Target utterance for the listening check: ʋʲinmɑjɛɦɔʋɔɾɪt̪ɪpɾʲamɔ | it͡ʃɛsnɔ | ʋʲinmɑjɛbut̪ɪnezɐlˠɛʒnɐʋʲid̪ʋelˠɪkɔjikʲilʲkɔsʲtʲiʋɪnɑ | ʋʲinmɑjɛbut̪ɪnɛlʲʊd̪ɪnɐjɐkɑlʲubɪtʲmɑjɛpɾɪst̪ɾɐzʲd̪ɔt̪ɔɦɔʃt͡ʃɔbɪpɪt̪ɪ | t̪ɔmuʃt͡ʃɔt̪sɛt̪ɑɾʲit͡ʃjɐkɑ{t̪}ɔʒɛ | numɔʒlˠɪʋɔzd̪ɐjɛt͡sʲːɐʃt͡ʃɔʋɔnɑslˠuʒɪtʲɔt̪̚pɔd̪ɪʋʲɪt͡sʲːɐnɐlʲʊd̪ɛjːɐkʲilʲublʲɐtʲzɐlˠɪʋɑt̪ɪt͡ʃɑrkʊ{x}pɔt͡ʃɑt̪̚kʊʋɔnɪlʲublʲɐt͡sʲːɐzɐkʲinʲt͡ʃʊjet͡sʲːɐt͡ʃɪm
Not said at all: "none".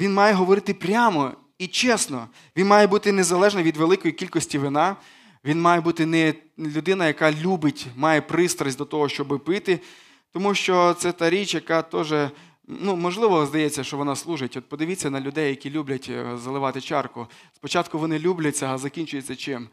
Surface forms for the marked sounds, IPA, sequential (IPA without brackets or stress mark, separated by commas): t̪, s